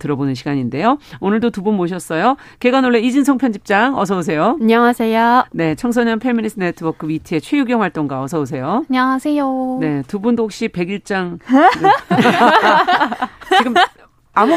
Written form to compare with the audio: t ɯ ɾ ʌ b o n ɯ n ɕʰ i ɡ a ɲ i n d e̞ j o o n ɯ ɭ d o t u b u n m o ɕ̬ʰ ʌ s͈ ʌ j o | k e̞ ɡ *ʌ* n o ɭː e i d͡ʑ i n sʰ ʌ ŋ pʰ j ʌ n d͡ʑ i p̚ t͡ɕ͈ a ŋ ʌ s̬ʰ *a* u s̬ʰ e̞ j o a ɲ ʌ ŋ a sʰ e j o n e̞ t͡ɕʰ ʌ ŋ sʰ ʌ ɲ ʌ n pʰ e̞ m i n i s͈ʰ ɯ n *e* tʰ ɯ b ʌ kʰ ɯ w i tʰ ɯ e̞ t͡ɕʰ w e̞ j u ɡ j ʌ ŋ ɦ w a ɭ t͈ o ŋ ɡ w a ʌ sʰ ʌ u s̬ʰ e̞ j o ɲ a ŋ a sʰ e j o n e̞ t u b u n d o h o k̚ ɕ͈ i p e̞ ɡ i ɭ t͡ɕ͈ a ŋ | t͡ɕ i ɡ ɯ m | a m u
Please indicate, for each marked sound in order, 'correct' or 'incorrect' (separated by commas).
incorrect, incorrect, correct